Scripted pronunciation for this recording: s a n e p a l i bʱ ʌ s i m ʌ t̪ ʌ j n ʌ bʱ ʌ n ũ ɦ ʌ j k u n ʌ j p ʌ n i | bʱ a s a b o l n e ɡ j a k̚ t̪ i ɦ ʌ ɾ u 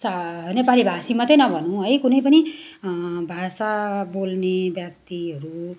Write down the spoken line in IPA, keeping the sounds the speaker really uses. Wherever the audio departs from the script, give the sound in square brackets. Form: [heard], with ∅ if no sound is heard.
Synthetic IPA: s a n e p a l i bʱ [a] s i m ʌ t̪ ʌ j n ʌ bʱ ʌ n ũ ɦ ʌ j k u n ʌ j p ʌ n i | bʱ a s a b o l n e [b] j a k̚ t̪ i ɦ ʌ ɾ u